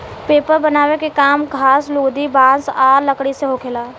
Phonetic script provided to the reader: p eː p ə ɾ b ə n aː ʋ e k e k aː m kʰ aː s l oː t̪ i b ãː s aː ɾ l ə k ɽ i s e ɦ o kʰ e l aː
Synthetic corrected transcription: p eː p ə ɾ b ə n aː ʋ e k e k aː m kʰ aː s l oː d̪ i b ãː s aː ɾ l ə k ɽ i s e ɦ o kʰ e l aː